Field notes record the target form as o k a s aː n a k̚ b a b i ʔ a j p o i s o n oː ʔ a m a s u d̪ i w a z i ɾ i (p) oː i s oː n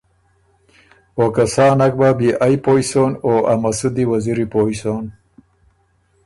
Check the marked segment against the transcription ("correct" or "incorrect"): correct